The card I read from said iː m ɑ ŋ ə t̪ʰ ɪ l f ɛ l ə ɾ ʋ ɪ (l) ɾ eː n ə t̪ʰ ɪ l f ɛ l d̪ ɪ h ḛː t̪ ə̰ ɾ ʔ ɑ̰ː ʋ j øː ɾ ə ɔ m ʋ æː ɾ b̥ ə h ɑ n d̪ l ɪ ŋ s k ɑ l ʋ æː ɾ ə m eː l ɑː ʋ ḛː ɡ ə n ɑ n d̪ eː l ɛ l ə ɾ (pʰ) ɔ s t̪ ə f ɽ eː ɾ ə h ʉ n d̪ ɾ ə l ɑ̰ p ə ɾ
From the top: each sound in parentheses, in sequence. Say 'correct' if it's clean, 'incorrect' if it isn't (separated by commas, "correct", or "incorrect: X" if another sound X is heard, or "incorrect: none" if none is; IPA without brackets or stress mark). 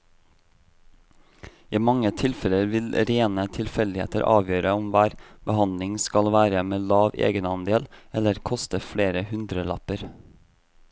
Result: correct, incorrect: kʰ